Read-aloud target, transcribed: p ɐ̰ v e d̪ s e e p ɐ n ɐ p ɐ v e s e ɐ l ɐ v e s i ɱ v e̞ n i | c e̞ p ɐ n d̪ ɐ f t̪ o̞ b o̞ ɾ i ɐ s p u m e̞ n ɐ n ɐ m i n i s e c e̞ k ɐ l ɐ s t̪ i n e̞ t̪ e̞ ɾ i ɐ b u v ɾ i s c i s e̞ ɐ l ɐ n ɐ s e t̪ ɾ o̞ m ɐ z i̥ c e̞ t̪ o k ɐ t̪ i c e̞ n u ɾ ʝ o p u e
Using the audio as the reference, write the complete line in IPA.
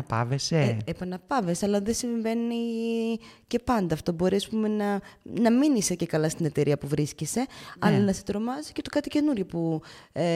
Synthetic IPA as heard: p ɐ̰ v e s e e p ɐ n ɐ p ɐ v e s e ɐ l ɐ ð e s i ɱ v e̞ n i | c e̞ p ɐ n d̪ ɐ f t̪ o̞ b o̞ ɾ i ɐ s p u m e̞ n ɐ n ɐ m i n i s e c e̞ k ɐ l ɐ s t̪ i n e̞ t̪ e̞ ɾ i ɐ p u v ɾ i s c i s e̞ ɐ l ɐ n ɐ s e t̪ ɾ o̞ m ɐ z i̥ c e̞ t̪ o k ɐ t̪ i c e̞ n u ɾ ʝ o p u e